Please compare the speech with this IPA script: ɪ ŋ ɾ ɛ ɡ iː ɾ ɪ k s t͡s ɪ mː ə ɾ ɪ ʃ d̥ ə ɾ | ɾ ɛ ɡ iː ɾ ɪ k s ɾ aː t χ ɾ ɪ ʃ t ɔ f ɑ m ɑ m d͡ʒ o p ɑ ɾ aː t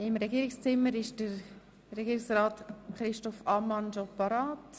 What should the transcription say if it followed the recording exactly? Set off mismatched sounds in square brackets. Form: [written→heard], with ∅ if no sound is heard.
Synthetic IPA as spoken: ɪ [ŋ→m] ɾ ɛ ɡ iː ɾ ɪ k s t͡s ɪ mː ə ɾ ɪ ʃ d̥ ə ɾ | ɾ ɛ ɡ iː ɾ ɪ k s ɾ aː t χ ɾ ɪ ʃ t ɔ f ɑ m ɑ [m→n] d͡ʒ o p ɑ ɾ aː t